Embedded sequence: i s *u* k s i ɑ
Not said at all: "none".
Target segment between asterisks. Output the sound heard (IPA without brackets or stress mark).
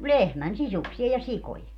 u